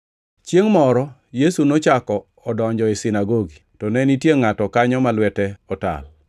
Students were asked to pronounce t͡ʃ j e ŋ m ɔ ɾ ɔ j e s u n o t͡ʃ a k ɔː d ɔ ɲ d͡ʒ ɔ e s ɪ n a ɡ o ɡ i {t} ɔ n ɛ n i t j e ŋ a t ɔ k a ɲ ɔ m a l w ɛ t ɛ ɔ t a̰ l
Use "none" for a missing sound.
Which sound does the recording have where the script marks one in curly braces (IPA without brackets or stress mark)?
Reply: t